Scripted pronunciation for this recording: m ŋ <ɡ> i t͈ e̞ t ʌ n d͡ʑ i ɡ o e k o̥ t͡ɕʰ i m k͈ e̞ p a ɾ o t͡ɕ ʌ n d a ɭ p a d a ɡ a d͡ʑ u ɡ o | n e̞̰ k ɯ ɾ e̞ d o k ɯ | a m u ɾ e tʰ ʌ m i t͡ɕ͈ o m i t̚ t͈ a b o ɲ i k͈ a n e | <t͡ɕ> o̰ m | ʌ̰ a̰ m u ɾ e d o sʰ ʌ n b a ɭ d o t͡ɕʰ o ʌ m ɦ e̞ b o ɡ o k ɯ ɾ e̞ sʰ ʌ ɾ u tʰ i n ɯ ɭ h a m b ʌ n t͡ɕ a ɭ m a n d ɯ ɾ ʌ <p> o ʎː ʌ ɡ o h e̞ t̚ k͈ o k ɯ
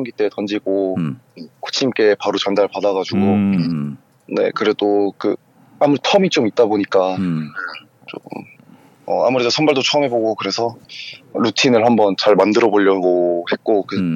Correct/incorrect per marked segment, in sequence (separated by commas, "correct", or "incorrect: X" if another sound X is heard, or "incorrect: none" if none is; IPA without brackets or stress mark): correct, correct, incorrect: b